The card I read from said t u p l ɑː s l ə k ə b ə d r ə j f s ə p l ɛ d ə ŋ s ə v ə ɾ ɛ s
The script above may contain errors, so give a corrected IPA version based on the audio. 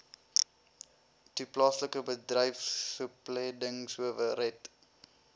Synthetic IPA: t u p l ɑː s l ə k ə b ə d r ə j f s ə p l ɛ d ə ŋ s ə v ə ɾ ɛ t